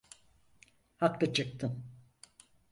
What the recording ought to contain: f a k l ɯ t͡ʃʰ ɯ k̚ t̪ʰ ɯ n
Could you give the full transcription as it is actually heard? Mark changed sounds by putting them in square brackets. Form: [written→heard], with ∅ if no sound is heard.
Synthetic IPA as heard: [f→h] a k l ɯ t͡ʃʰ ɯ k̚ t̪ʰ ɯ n